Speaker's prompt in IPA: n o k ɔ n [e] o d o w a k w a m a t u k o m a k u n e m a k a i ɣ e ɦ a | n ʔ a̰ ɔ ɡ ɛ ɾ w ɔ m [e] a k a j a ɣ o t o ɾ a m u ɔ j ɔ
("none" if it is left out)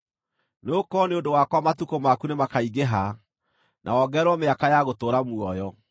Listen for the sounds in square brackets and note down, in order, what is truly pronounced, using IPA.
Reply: e, e

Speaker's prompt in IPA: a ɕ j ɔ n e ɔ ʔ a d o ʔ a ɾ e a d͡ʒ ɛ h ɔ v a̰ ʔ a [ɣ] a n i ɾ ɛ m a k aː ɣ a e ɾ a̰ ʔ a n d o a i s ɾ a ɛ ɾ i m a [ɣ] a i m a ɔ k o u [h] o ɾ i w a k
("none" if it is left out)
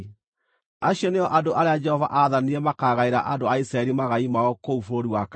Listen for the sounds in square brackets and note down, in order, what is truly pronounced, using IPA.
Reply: ð, ɣ, f

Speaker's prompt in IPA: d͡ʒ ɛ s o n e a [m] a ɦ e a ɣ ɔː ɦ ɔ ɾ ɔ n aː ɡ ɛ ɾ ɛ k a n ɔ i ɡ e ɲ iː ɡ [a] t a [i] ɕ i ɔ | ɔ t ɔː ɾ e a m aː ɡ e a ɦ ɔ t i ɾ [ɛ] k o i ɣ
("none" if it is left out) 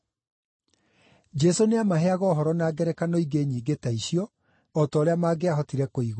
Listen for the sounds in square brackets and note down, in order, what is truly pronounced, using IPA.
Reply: m, e, i, ɛ

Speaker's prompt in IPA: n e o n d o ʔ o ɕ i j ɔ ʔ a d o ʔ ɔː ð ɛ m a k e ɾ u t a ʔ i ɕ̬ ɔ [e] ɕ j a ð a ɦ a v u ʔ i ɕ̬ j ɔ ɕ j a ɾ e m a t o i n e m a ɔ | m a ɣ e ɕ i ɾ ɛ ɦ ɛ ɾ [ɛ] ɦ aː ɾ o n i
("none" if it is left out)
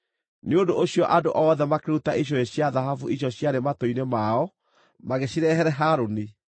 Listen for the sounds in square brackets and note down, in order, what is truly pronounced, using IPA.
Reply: e, ɛ

